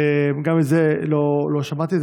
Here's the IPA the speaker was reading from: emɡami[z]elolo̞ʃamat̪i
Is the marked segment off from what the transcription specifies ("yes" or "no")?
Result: no